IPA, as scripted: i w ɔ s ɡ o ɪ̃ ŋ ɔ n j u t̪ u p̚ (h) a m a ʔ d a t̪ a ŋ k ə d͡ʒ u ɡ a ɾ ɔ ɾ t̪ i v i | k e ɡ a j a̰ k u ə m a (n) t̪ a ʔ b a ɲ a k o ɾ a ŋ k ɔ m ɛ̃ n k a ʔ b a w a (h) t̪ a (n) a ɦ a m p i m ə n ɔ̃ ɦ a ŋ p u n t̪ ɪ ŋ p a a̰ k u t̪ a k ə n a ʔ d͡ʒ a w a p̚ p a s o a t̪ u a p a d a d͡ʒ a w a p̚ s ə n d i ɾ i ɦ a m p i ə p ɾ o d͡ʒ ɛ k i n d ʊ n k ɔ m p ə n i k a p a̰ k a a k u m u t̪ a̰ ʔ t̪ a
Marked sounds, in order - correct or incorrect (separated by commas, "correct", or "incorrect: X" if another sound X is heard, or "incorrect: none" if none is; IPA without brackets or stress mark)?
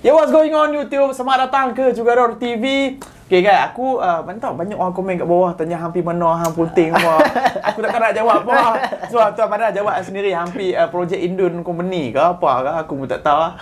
incorrect: s, correct, correct, incorrect: ɲ